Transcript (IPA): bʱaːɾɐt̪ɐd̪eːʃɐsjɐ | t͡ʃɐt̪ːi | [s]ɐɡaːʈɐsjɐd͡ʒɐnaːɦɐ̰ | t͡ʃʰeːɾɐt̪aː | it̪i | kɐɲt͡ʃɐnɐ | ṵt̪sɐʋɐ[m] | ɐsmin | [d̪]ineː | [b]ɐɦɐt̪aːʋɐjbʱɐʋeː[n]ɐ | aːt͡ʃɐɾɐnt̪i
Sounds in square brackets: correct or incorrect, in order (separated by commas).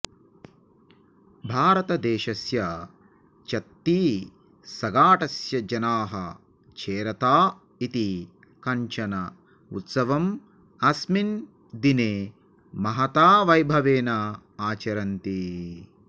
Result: correct, correct, correct, incorrect, correct